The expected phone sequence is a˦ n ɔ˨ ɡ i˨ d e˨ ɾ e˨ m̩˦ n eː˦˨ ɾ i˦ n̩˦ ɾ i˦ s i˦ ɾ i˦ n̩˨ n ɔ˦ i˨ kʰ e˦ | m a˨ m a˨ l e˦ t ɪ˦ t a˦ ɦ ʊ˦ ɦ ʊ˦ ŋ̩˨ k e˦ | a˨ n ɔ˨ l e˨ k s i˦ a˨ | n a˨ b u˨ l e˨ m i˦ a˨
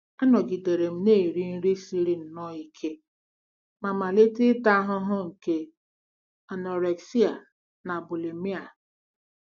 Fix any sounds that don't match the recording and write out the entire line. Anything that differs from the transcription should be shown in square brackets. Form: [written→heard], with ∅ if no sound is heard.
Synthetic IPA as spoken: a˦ n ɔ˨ ɡ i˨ d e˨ ɾ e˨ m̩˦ n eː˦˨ ɾ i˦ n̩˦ ɾ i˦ s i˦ ɾ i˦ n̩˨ n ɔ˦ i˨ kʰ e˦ | m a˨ m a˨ l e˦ t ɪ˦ t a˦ ɦ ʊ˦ ɦ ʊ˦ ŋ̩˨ k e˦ | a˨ n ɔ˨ [l→ɾ] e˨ k s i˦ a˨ | n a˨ b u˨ l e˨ m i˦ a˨